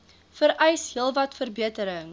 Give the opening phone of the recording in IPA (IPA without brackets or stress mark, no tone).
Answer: f